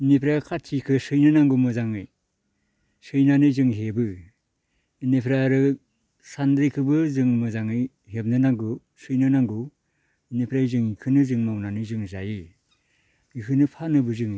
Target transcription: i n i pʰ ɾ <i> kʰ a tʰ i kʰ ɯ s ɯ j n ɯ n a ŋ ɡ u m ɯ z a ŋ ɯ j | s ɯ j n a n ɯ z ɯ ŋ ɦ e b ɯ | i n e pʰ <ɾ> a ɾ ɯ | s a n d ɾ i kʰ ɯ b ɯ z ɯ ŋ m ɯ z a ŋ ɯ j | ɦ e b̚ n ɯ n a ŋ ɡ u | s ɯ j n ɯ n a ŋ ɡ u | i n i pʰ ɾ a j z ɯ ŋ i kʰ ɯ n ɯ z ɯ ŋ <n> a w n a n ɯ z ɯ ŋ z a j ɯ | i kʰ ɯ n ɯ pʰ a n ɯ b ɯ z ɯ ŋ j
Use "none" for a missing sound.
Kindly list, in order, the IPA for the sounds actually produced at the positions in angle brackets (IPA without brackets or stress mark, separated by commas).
a, ɾ, m